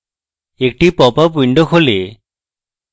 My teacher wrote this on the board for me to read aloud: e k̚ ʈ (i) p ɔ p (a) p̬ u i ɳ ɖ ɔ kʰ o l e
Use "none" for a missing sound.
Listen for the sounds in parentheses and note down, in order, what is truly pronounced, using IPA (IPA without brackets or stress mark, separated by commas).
i, a